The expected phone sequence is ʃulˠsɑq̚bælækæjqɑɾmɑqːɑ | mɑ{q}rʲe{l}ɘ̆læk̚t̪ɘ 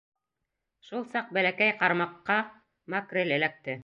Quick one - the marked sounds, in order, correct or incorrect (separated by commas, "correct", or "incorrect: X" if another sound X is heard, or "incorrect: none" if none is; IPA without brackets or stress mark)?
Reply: incorrect: k, correct